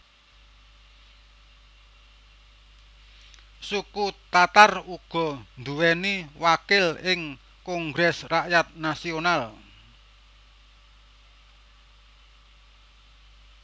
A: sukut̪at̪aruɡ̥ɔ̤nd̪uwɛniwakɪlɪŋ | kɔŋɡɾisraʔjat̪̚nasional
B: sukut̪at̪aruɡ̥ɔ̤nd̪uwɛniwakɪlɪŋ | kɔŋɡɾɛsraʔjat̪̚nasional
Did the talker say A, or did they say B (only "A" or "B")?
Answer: B